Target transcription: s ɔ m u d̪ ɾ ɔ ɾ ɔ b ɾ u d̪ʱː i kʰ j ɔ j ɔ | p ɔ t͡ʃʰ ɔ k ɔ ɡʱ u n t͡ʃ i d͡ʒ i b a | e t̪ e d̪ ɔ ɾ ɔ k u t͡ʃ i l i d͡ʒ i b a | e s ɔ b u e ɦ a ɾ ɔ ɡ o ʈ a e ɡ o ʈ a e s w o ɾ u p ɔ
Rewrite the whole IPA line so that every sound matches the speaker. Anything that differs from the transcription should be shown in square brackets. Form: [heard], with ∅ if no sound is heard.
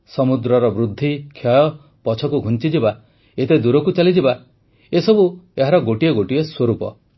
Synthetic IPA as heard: s ɔ m u d̪ ɾ ɔ ɾ ɔ b ɾ u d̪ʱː i kʰ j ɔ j ɔ | p ɔ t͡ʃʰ ɔ k [u] ɡʱ u n t͡ʃ i d͡ʒ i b a | e t̪ e d̪ [u] ɾ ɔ k u t͡ʃ [a] l i d͡ʒ i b a | e s ɔ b u e ɦ a ɾ ɔ ɡ o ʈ [i] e ɡ o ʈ [i] e s w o ɾ u p ɔ